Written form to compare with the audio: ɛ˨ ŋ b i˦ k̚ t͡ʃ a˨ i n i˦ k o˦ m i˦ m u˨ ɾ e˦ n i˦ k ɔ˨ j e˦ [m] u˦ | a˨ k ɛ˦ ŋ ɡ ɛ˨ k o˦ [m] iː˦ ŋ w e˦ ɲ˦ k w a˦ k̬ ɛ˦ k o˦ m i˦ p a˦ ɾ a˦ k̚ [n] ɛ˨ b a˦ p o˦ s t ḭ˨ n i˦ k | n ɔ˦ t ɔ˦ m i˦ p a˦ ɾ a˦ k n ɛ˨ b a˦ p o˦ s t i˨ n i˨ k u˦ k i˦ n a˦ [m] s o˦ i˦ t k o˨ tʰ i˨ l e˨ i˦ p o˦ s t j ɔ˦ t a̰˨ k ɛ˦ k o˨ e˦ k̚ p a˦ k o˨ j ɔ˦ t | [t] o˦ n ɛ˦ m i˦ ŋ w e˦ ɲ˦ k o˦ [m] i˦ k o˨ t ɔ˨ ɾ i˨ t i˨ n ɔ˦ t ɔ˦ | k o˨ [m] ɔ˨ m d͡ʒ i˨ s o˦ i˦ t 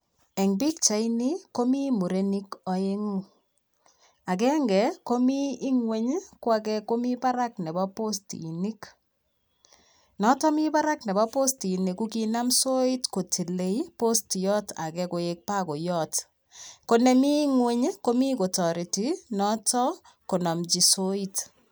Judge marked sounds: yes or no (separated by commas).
no, yes, yes, yes, no, yes, no